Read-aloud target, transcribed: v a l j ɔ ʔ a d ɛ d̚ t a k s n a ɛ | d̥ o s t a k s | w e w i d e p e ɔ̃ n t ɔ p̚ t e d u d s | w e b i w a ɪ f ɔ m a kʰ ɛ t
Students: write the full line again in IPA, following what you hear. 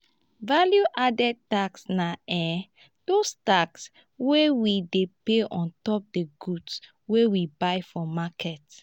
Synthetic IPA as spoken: v a l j u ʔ a d ɛ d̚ t a k s n a ɛ | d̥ o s t a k s | w e w i d e p e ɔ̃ n t ɔ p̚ d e ɡ u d s | w e w i b a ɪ f ɔ m a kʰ ɛ t

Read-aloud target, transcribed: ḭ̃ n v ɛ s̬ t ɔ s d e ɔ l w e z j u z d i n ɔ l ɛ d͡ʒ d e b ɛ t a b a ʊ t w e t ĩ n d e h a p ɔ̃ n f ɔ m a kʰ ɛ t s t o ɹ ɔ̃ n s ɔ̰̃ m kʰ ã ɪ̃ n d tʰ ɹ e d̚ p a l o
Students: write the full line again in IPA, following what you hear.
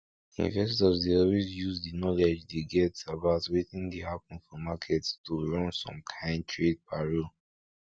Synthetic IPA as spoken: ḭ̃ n v ɛ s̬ t ɔ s d e ɔ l w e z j u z d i n ɔ l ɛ d͡ʒ d e ɡ ɛ t a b a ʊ t w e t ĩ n d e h a p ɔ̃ n f ɔ m a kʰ ɛ t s t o ɹ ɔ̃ n s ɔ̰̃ m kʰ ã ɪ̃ n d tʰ ɹ e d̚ p a ɹ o

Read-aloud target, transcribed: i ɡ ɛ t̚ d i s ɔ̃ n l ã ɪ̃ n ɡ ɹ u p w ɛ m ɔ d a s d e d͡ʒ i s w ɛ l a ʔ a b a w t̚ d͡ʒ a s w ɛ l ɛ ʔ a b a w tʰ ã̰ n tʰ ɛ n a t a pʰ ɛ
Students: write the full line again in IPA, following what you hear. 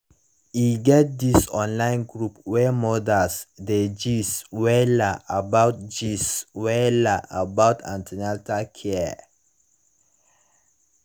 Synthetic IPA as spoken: i ɡ ɛ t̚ d i s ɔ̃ n l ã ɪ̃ n ɡ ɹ u p w ɛ m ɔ d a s d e d͡ʒ i s w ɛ l a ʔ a b a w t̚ d͡ʒ i s w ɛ l a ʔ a b a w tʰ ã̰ n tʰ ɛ n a t a kʰ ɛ

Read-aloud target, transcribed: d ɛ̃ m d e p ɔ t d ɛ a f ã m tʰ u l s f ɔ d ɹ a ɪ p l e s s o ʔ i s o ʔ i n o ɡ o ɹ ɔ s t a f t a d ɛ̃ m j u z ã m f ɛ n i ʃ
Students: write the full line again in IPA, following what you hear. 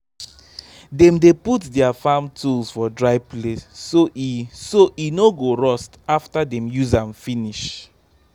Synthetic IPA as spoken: d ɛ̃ m d e p u t d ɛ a f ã m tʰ u l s f ɔ d ɹ a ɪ p l e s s o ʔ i s o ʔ i n o ɡ o ɹ ɔ s t a f t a d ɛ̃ m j u z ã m f i n i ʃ

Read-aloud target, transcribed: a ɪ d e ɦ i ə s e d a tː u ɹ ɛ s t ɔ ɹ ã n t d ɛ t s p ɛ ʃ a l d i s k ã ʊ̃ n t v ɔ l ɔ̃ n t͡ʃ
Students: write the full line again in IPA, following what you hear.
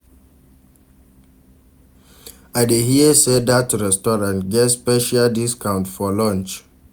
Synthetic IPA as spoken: a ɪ d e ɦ i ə s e d a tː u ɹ ɛ s t ɔ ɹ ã n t ɡ ɛ t s p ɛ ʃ a l d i s k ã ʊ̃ n t f ɔ l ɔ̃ n t͡ʃ

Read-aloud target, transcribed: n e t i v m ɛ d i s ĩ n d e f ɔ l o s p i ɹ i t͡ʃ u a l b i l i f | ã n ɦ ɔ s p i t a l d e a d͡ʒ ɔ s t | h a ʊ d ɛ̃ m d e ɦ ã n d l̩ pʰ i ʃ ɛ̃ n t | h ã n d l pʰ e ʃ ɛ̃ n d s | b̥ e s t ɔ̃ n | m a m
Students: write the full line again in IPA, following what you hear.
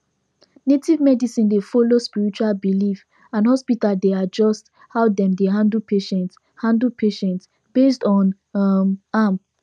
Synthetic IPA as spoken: n e t i v m ɛ d i s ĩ n d e f ɔ l o s p i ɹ i t͡ʃ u a l b i l i f | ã n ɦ ɔ s p i t a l d e a d͡ʒ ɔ s t | h a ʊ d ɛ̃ m d e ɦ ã n d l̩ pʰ e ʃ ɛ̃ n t | h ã n d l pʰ e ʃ ɛ̃ n t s | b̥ e s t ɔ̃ n | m a m

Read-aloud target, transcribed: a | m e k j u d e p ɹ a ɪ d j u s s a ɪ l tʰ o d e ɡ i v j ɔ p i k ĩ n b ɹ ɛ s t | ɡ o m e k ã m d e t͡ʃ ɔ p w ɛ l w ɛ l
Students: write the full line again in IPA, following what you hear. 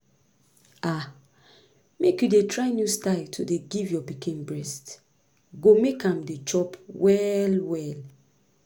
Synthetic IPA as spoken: a | m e k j u d e t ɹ a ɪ n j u s t a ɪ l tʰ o d e ɡ i v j ɔ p i k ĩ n b ɹ ɛ s t | ɡ o m e k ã m d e t͡ʃ ɔ p w ɛ l w ɛ l

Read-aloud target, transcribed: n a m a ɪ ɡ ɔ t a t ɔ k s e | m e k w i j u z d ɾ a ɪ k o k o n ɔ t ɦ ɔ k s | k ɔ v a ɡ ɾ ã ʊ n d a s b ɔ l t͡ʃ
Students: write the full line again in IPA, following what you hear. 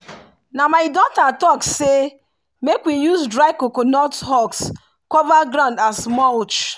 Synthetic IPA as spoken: n a m a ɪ d ɔ t a t ɔ k s e | m e k w i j u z d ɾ a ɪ k o k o n ɔ t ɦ ɔ k s | k ɔ v a ɡ ɾ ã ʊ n d a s m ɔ l t͡ʃ

